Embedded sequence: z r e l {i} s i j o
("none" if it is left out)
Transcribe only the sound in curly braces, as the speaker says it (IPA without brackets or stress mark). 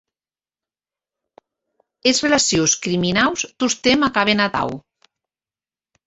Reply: a